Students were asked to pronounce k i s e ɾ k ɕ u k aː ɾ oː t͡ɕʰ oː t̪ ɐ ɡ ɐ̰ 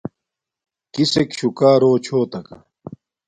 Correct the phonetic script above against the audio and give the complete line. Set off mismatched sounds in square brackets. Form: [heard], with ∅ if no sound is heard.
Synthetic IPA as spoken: k i s e [∅] k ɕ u k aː ɾ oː t͡ɕʰ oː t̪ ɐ [k] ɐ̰

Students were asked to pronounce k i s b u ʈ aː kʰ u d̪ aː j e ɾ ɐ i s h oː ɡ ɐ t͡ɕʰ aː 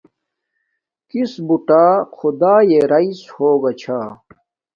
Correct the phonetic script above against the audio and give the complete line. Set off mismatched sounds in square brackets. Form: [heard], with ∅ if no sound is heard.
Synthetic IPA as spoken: k i s b u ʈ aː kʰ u d̪ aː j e ɾ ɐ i s h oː ɡ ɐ t͡ɕʰ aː

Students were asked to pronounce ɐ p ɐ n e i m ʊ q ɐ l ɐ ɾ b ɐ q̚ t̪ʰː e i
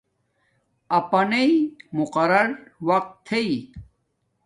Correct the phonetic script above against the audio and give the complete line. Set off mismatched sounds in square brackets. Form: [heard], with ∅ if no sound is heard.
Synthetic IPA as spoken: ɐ p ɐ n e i m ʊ q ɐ [ɾ] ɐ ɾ [w] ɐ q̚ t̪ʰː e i

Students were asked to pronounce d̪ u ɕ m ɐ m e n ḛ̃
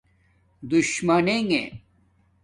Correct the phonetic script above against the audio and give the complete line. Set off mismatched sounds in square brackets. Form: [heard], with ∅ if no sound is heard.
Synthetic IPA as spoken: d̪ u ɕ m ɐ [n] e [ŋ] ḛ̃

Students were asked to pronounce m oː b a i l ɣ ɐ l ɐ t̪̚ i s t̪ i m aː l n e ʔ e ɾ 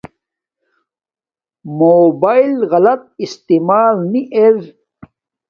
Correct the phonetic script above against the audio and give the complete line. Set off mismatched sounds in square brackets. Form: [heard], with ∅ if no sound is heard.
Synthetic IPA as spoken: m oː b a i l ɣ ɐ l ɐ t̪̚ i s t̪ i m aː l n [i] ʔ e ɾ

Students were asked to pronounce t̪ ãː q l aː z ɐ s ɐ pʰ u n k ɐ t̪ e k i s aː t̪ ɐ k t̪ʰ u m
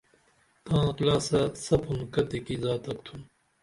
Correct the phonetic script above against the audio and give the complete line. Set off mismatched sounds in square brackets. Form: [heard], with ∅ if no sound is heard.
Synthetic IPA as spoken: t̪ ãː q l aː [s] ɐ s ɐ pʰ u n k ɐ t̪ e k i [z] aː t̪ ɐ k t̪ʰ u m

